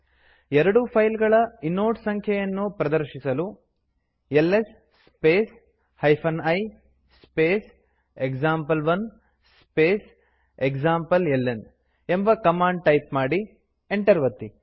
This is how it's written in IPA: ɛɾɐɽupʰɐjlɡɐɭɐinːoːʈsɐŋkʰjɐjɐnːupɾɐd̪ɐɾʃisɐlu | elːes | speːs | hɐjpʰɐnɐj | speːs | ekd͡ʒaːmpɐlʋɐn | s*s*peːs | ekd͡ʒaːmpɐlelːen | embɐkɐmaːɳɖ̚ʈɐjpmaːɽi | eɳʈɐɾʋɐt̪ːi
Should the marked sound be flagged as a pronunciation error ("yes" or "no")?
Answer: no